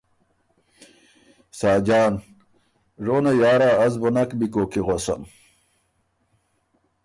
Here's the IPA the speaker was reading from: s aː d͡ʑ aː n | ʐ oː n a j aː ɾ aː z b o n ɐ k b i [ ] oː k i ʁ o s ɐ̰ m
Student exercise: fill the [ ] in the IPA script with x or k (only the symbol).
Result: k